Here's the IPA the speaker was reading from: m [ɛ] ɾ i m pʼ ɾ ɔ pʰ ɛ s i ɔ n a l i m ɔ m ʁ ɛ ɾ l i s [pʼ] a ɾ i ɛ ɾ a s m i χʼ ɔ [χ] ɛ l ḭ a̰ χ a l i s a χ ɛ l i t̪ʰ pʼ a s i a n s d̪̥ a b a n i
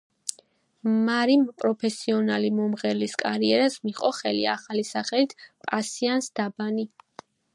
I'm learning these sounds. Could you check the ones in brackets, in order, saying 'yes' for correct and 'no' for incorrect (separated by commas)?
no, no, yes